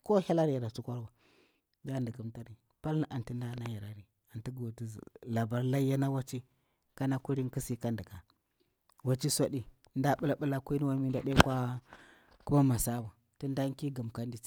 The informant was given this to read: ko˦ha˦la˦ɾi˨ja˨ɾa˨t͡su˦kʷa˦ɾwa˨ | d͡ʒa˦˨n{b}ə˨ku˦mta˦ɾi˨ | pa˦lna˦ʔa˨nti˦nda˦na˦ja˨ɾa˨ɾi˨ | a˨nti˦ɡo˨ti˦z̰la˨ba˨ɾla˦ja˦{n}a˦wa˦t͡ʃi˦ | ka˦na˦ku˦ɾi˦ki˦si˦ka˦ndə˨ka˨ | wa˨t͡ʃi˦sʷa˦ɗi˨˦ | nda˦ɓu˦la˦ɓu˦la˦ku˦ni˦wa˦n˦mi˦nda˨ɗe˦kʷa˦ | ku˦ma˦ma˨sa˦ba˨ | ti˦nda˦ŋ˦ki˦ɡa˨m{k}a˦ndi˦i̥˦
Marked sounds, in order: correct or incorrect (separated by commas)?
incorrect, correct, correct